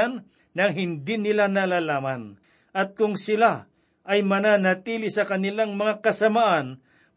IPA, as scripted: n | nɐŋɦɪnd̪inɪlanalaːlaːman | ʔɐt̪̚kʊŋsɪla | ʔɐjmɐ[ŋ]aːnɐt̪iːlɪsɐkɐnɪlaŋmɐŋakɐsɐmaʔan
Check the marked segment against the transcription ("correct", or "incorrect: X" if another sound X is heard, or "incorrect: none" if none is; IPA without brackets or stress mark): incorrect: n